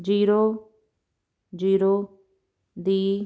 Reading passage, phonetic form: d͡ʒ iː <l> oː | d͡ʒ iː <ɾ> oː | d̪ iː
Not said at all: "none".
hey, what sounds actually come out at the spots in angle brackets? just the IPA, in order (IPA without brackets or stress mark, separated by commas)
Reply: ɾ, ɾ